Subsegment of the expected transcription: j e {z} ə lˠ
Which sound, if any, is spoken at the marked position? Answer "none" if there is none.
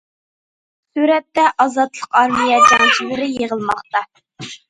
ʁ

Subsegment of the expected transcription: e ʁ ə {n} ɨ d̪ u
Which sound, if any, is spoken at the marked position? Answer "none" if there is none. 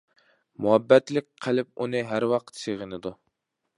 n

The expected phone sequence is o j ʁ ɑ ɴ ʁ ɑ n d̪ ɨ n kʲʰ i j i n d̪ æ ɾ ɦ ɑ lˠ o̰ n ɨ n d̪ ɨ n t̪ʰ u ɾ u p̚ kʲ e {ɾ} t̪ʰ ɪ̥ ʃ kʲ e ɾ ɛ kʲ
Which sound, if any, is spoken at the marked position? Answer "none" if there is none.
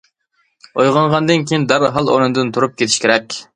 none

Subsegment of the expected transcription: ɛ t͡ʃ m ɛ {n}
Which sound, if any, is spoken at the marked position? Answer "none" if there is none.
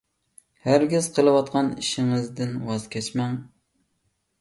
ŋ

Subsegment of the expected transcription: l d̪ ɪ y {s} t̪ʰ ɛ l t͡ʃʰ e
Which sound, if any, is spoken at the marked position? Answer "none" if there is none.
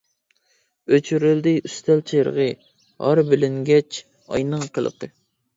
s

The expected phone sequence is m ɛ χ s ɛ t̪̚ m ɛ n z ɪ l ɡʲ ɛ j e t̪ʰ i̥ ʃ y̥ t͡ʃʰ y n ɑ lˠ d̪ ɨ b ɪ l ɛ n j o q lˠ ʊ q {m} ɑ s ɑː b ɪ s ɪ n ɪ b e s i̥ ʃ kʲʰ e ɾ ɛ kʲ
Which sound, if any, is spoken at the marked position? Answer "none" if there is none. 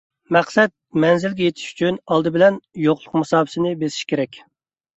m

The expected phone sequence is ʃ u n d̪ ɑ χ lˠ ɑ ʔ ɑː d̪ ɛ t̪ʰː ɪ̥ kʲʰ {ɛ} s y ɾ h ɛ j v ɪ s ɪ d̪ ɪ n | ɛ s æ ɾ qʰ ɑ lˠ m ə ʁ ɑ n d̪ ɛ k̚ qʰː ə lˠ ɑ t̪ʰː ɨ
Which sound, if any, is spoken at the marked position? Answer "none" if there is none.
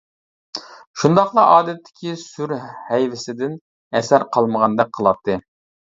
i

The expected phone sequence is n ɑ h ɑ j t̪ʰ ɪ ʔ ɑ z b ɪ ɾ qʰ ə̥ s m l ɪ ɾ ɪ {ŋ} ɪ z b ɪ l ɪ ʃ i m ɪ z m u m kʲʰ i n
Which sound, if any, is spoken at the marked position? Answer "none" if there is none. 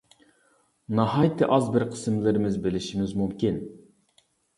m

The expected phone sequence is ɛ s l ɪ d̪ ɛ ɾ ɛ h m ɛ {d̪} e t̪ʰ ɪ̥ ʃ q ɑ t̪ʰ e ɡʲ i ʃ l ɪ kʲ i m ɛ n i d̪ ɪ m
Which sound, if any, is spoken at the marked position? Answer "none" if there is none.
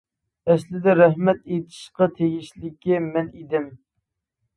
t̪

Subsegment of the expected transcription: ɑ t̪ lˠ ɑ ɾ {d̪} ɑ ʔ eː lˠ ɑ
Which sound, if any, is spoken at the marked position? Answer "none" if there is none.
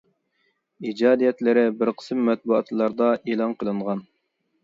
d̪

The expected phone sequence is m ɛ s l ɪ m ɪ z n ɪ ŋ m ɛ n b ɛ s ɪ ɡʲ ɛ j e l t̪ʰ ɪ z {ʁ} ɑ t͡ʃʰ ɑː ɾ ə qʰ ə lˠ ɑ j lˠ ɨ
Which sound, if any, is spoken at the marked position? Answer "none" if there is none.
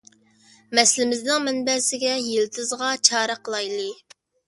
ʁ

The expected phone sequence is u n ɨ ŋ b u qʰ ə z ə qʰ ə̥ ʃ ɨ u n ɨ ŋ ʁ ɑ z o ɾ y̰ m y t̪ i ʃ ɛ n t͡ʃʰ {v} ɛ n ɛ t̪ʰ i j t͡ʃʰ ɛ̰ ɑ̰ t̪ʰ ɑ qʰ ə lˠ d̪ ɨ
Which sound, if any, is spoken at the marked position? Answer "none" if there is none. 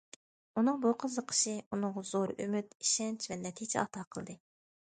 v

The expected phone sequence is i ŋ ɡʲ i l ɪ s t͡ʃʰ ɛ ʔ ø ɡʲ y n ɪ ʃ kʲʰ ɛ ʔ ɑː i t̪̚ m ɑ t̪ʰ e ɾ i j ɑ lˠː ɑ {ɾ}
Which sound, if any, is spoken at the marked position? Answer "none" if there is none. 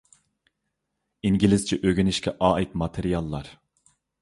ɾ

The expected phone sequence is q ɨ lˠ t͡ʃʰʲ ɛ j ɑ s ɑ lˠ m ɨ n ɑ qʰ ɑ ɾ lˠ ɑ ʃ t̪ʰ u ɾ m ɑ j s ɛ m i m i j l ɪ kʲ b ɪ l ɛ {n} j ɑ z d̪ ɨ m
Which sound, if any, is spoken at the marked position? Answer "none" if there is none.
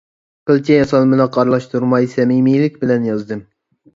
n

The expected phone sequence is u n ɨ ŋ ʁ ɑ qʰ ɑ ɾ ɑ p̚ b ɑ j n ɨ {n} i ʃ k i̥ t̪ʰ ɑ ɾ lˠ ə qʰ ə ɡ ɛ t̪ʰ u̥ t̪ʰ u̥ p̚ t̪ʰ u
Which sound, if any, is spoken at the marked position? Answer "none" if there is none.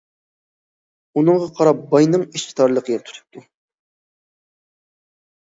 ŋ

